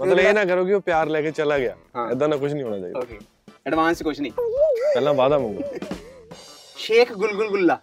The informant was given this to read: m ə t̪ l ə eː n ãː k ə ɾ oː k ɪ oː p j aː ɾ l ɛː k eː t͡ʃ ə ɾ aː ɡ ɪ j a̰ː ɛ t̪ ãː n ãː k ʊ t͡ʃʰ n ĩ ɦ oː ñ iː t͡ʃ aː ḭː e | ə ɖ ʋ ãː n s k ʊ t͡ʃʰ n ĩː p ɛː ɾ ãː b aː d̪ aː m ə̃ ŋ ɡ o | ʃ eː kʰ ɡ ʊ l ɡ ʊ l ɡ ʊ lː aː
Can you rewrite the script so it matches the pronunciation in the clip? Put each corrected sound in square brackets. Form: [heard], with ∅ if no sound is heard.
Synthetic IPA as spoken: m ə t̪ l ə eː n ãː k ə ɾ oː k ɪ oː p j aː ɾ l ɛː k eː t͡ʃ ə [l] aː ɡ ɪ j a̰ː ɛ [d̪] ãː n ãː k ʊ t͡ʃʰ n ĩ ɦ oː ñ [aː] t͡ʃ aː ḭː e | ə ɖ ʋ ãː n s k ʊ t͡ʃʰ n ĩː p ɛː [l] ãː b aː d̪ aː m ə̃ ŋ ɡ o | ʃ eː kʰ ɡ ʊ l ɡ ʊ l ɡ ʊ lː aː